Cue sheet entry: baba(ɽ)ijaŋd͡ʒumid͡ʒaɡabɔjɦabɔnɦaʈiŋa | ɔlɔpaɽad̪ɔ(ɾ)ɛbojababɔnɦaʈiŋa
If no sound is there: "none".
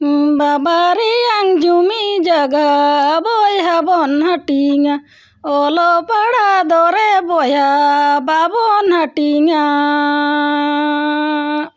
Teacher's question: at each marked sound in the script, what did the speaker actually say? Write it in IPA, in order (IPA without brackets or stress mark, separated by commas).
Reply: ɾ, ɾ